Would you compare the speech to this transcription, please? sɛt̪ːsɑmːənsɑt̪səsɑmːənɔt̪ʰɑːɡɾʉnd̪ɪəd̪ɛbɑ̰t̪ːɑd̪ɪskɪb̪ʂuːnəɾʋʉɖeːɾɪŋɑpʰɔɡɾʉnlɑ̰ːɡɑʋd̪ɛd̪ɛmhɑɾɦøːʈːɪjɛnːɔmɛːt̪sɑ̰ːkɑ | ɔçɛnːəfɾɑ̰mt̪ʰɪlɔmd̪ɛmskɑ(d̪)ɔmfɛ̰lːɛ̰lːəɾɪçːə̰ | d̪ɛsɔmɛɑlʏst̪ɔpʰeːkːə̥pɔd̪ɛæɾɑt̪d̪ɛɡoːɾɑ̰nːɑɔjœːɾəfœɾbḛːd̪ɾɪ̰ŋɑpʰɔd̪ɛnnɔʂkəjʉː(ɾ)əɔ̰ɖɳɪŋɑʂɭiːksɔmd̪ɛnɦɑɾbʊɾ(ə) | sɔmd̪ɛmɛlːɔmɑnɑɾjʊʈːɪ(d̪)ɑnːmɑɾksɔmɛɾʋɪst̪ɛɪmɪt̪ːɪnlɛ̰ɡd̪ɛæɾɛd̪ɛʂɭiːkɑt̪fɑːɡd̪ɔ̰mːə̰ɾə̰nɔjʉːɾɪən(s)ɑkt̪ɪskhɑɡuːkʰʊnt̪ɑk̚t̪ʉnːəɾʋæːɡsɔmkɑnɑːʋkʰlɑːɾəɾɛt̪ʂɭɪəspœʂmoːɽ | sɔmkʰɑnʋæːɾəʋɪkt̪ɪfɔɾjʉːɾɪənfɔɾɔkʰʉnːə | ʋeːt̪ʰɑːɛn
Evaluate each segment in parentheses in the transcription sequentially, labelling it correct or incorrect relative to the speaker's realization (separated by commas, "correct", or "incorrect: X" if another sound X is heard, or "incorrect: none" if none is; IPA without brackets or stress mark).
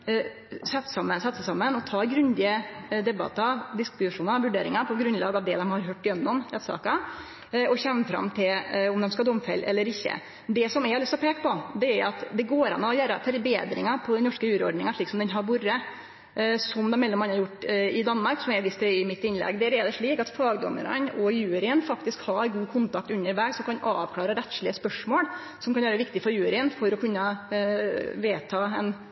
correct, correct, correct, correct, incorrect: f